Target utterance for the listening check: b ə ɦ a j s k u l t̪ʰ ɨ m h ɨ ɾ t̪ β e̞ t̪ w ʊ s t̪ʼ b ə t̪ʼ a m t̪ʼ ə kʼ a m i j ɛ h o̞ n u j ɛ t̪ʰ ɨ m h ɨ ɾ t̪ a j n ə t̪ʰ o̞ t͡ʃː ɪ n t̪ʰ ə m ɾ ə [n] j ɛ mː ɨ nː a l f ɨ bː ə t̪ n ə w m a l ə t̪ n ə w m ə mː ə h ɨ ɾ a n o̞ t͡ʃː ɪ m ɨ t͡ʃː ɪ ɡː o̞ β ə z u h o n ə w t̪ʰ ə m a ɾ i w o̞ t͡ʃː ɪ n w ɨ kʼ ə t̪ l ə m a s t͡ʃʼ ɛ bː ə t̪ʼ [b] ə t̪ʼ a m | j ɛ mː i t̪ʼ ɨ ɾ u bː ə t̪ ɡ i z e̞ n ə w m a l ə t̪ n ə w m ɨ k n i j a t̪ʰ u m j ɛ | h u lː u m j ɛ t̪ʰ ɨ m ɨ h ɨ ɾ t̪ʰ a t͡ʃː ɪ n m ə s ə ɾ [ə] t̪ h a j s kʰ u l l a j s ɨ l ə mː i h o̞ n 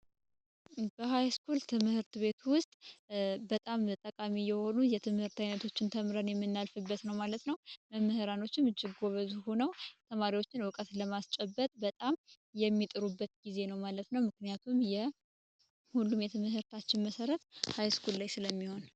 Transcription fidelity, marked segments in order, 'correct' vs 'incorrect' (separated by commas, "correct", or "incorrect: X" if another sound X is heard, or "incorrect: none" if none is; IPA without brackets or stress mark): correct, correct, correct